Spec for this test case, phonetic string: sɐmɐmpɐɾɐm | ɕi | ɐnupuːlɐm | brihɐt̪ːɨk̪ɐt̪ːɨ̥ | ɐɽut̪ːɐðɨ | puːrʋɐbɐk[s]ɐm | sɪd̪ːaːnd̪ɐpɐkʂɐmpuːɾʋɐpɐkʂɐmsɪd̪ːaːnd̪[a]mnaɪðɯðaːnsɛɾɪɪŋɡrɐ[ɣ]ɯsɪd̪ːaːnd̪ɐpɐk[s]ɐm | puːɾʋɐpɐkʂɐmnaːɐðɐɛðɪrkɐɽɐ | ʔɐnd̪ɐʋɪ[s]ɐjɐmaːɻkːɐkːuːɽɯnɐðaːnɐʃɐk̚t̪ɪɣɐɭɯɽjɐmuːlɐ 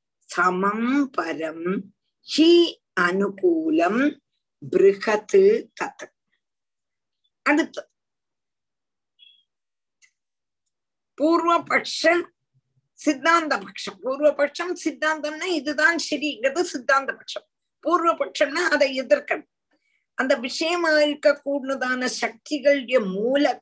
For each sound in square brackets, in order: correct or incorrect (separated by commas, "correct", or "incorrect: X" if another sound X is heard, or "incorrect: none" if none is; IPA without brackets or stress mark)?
incorrect: ʂ, incorrect: ɐ, incorrect: ð, incorrect: ʂ, incorrect: ʂ